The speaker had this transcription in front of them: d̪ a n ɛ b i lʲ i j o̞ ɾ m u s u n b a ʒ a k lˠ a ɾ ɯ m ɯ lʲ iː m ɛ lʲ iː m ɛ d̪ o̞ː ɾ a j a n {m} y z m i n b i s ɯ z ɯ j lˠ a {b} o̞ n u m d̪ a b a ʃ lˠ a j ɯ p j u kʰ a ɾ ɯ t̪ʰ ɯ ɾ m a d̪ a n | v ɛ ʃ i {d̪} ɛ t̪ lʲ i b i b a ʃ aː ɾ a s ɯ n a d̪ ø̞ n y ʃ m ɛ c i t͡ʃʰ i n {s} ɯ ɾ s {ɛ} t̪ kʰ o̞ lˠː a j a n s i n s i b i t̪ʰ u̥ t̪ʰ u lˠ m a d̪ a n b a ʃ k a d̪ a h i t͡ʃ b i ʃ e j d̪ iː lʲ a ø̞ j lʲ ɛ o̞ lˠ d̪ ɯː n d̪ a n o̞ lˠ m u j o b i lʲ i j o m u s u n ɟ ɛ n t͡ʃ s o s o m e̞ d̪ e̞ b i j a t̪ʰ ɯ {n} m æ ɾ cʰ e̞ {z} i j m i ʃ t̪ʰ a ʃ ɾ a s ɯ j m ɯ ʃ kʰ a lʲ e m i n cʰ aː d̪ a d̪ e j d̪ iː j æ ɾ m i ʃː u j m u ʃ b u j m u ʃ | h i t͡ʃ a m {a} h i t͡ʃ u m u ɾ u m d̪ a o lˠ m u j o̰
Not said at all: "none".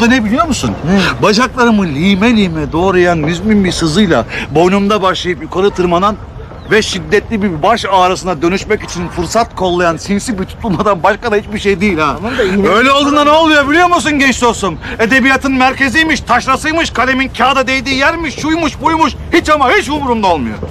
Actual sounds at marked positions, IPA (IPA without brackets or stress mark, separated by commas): m, b, d̪ː, f, a, n, z, a